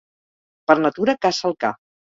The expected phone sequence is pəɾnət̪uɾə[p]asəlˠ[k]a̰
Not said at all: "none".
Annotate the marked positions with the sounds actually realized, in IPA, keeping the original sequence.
k, k

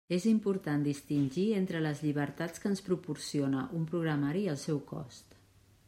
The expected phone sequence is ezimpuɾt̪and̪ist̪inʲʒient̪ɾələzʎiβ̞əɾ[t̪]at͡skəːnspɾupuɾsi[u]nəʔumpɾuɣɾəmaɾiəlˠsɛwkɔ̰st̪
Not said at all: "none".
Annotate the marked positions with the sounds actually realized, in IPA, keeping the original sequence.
t̪, o

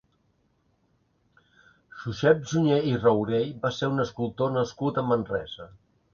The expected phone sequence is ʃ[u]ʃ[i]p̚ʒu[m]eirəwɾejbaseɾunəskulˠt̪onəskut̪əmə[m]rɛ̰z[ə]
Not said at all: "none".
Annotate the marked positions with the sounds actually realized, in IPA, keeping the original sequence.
u, ɛ, ɲ, n, ə

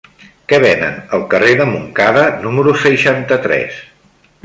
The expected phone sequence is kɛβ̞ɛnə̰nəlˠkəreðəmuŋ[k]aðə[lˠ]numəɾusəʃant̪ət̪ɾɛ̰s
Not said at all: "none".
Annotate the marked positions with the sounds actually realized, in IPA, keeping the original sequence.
k, none

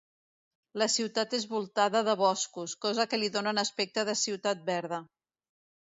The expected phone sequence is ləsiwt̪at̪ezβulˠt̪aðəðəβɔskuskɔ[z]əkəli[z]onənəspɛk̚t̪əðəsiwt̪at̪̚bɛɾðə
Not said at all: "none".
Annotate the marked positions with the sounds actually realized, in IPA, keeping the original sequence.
z, ð

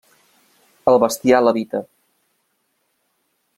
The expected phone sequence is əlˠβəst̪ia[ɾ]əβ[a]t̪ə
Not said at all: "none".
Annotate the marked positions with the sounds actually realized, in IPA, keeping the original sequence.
l, i

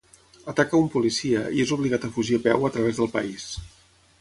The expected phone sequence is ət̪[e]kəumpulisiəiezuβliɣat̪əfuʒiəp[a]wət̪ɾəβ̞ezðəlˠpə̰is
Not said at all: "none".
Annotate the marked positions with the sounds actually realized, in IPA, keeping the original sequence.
a, ɛ

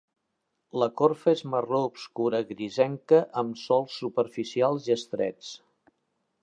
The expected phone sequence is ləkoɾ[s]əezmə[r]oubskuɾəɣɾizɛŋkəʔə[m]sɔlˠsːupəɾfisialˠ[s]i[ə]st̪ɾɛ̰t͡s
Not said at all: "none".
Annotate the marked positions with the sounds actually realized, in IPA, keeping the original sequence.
f, r, m, z, ə

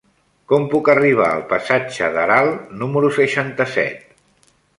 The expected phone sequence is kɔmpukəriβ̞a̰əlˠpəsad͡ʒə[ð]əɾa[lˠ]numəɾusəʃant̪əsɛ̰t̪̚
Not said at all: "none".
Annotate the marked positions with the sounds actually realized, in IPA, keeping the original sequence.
ð, lˠ

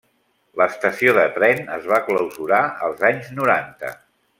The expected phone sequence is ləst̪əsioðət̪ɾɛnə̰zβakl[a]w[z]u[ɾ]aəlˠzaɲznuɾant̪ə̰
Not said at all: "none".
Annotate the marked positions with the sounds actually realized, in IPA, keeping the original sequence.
ə, z, ɾ

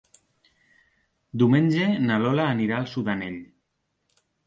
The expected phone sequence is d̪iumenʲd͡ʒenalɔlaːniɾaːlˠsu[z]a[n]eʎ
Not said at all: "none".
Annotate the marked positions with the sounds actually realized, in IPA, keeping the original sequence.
ð, n

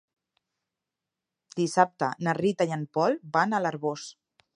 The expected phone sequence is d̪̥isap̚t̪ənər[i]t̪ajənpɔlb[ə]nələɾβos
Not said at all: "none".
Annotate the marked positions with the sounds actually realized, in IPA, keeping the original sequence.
i, a

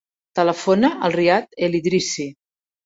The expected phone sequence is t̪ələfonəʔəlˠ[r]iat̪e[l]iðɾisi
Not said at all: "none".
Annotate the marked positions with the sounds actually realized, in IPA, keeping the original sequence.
r, l

